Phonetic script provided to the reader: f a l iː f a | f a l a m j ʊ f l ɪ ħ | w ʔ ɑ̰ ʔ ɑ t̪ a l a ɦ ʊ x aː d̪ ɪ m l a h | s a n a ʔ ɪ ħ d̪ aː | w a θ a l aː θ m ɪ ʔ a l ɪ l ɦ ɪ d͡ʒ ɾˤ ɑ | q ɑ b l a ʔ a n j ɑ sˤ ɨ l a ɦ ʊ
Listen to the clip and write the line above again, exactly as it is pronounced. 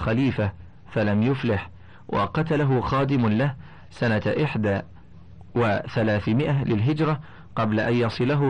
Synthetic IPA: x a l iː f a | f a l a m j ʊ f l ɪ ħ | w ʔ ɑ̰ q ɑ t̪ a l a ɦ ʊ x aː d̪ ɪ m l a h | s a n a ʔ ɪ ħ d̪ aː | w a θ a l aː θ m ɪ ʔ a l ɪ l ɦ ɪ d͡ʒ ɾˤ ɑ | q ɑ b l a ʔ a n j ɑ sˤ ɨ l a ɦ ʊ